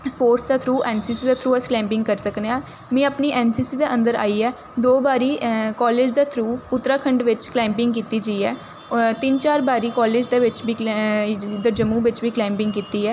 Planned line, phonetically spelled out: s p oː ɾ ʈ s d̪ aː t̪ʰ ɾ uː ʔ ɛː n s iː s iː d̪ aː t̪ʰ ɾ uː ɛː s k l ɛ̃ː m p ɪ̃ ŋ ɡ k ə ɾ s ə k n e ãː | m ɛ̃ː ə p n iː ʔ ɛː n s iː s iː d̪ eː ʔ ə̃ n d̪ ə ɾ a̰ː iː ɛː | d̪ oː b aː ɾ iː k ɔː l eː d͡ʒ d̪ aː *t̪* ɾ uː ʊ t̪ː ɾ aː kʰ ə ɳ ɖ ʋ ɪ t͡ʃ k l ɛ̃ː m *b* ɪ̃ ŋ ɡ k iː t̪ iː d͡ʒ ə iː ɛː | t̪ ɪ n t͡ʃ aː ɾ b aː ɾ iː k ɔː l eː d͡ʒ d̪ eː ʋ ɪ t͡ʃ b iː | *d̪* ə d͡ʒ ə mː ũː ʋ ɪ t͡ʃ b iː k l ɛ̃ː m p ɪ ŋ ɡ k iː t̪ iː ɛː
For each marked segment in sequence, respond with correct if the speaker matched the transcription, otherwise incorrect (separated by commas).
incorrect, incorrect, correct